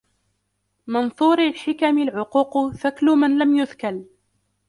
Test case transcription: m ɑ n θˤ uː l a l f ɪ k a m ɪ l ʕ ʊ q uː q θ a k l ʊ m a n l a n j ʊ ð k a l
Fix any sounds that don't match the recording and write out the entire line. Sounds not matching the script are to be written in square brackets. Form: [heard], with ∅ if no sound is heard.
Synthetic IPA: m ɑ n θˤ uː [ɾ] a l [ħ] ɪ k a m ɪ l ʕ ʊ q uː q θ a k l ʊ m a n l a [m] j ʊ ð k a l